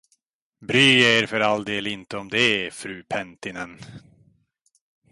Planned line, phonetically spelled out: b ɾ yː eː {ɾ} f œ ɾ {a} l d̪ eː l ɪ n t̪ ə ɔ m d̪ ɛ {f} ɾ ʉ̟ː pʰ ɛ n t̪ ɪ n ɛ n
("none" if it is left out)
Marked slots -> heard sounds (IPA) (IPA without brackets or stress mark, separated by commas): ɾ, a, f